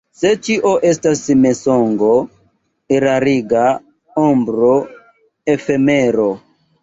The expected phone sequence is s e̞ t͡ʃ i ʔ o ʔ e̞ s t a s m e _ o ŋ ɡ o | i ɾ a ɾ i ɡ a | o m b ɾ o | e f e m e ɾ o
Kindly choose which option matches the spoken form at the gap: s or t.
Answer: s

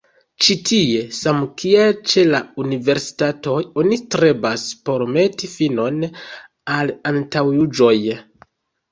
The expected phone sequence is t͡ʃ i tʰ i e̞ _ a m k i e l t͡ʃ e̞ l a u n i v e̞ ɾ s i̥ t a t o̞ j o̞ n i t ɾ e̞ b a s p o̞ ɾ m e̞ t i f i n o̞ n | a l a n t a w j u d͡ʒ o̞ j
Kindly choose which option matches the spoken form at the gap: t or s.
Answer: s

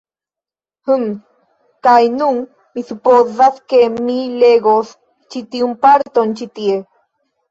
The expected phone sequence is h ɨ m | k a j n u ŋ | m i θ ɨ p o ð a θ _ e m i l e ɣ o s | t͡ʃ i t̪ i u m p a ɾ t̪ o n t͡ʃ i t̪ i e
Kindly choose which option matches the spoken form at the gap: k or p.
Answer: k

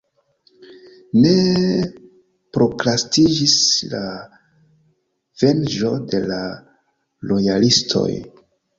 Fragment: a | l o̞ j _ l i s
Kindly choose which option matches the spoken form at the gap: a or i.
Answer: a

